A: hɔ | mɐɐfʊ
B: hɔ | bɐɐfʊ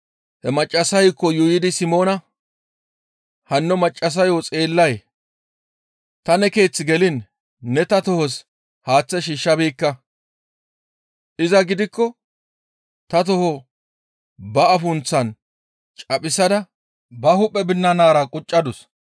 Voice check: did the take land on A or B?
B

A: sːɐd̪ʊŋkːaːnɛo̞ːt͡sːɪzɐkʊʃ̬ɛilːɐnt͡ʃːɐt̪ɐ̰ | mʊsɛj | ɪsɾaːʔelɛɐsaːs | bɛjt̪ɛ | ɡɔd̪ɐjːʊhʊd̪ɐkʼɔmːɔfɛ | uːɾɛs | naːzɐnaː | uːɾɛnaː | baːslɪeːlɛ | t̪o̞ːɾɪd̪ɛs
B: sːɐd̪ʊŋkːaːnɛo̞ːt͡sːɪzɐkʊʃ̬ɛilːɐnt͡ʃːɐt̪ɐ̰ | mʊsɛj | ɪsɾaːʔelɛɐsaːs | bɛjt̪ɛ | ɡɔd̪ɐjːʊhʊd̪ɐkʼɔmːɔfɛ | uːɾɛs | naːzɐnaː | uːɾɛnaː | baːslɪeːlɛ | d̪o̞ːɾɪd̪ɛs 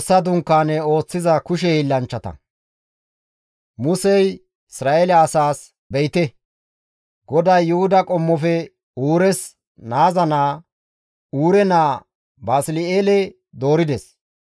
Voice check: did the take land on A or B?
B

